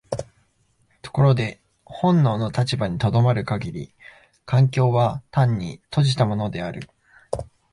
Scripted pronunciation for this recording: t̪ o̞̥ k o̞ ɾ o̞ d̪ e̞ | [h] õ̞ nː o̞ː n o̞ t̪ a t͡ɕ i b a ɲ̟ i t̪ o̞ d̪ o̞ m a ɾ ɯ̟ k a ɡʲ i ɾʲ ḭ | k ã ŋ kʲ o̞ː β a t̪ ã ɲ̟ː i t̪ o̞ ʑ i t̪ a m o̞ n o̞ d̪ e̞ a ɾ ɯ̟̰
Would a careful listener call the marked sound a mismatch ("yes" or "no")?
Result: no